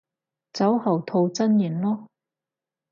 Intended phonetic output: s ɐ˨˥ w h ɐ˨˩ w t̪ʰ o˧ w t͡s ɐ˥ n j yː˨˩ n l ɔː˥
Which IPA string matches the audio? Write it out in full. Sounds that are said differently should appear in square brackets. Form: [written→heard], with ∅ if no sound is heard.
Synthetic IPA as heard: [s→t͡s] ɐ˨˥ w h ɐ˨˩ w t̪ʰ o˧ w t͡s ɐ˥ n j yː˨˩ n l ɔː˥